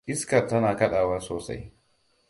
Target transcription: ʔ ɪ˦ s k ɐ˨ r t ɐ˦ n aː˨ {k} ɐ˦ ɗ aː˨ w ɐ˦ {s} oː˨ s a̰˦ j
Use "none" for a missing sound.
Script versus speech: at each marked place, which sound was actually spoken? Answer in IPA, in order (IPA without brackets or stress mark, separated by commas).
k, s